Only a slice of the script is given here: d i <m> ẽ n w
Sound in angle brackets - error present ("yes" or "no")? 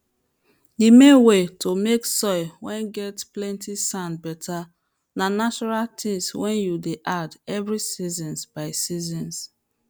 no